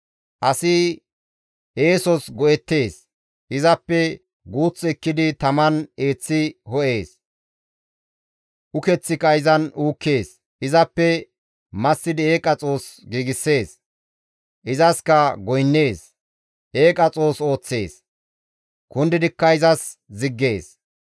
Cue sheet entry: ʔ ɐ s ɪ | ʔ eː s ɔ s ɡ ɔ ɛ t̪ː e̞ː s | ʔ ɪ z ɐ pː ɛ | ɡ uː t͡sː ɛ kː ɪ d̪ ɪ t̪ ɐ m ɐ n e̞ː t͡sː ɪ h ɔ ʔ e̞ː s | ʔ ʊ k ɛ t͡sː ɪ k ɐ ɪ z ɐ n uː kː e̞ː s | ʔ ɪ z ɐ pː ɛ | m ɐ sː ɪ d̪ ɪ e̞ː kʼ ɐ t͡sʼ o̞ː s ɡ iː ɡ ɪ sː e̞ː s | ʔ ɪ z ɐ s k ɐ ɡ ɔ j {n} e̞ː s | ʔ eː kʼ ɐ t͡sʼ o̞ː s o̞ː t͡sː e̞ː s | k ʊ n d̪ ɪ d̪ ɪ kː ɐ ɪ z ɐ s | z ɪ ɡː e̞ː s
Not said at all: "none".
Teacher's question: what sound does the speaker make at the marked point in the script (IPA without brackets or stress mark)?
nː